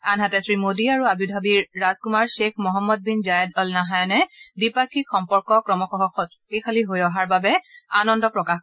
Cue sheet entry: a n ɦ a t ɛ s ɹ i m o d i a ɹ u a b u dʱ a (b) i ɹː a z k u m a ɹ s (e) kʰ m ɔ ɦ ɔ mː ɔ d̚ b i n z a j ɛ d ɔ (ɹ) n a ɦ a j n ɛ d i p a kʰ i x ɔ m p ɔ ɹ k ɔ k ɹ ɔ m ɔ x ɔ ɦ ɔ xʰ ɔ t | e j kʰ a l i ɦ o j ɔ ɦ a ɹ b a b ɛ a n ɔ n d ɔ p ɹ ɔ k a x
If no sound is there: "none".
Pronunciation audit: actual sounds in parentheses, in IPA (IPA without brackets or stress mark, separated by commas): b, e, l